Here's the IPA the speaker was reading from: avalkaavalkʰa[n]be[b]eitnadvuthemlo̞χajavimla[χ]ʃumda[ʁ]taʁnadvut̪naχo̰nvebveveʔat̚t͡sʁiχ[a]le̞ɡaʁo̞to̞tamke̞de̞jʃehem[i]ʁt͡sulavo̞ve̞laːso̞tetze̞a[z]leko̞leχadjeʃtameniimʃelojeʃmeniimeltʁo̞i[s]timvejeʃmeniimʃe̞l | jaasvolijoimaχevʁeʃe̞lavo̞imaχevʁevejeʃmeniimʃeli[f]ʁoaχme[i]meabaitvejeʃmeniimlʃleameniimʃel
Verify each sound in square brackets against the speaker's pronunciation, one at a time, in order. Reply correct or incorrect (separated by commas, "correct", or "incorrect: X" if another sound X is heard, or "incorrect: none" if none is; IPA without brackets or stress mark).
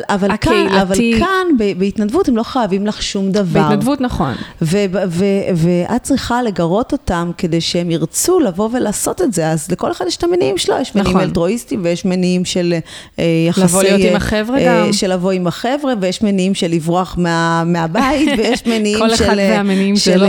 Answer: correct, correct, correct, incorrect: v, correct, correct, correct, correct, incorrect: v, incorrect: a